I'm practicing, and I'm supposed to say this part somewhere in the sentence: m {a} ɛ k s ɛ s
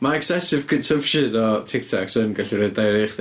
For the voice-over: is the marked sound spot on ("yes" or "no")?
yes